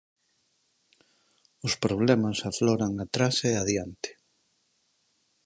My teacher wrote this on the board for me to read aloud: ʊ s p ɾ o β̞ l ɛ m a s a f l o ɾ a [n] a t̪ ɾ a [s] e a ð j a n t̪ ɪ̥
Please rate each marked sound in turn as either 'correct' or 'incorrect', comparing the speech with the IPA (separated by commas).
incorrect, correct